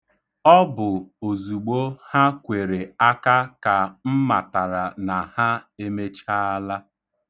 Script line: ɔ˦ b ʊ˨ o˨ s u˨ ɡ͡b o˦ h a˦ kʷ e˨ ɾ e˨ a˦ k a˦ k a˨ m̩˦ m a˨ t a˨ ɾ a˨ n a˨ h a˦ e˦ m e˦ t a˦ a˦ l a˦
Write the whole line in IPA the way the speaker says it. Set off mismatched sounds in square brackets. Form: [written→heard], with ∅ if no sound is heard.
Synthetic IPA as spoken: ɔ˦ b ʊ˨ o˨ [s→z] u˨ ɡ͡b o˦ h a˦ kʷ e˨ ɾ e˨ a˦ k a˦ k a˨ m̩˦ m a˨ t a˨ ɾ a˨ n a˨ h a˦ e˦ m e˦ [t→t͡ʃ] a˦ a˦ l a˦